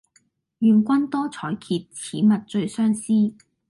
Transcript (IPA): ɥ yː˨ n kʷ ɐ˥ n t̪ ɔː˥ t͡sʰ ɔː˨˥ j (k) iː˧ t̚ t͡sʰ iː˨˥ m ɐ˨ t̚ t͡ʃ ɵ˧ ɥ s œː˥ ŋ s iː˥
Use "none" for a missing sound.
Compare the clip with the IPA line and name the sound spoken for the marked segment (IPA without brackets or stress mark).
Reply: kʰ